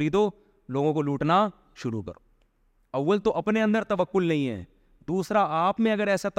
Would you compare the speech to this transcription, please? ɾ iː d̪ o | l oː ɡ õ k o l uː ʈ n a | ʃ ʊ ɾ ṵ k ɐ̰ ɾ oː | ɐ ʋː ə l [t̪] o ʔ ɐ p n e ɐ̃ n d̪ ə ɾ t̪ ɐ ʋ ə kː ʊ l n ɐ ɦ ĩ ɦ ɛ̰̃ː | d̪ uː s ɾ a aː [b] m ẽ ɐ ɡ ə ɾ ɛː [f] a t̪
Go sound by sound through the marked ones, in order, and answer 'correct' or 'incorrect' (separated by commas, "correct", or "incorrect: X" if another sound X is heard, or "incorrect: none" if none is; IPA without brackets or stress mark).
correct, incorrect: p, incorrect: s